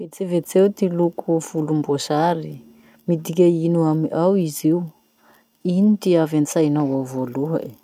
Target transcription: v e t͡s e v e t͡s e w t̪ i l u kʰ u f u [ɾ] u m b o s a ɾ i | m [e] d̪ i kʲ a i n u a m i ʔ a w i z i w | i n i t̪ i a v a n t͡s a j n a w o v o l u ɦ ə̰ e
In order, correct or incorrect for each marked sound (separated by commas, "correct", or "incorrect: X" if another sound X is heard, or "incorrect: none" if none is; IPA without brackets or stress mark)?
incorrect: l, incorrect: i